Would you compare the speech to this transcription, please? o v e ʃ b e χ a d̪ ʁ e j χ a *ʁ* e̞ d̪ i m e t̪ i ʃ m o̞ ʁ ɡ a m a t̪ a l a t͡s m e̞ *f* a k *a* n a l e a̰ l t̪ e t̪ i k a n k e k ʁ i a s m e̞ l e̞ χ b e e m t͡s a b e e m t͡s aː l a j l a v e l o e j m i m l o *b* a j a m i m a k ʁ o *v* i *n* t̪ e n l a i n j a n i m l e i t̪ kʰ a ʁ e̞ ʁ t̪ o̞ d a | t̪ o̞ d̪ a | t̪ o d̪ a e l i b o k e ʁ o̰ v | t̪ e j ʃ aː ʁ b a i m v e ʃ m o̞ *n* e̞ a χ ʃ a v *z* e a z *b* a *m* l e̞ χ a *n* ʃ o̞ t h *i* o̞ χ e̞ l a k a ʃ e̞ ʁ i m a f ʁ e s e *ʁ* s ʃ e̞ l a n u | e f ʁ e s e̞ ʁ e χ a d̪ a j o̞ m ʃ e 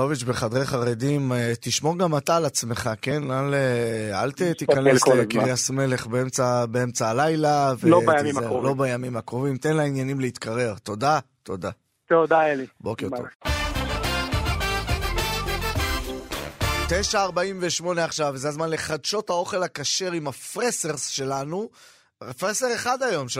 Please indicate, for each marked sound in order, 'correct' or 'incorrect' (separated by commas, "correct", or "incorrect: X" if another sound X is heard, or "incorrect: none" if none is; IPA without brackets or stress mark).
correct, incorrect: χ, incorrect: e, correct, correct, incorrect: m, correct, correct, incorrect: m, incorrect: n, incorrect: d, incorrect: a, correct